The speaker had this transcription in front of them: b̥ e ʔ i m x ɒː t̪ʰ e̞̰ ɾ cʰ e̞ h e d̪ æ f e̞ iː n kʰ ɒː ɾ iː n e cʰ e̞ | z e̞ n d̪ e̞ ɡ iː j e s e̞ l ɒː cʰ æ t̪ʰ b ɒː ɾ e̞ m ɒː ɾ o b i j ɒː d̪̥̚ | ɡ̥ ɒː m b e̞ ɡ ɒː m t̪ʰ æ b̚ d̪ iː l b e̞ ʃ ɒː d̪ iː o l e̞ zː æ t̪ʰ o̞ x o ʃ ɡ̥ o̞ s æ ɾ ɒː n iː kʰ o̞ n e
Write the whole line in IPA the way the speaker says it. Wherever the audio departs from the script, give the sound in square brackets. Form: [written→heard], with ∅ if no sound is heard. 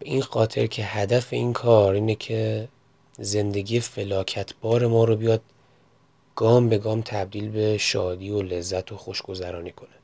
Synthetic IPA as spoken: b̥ e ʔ i [m→n] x ɒː t̪ʰ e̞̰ ɾ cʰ e̞ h [e→æ] d̪ æ f e̞ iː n kʰ ɒː ɾ iː n e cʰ e̞ | z e̞ n d̪ e̞ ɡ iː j e [s→f] e̞ l ɒː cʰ æ t̪ʰ b ɒː ɾ e̞ m ɒː ɾ o b i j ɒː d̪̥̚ | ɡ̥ ɒː m b e̞ ɡ ɒː m t̪ʰ æ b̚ d̪ iː l b e̞ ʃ ɒː d̪ iː o l e̞ zː æ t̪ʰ o̞ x o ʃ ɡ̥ o̞ [s→z] æ ɾ ɒː n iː kʰ o̞ n e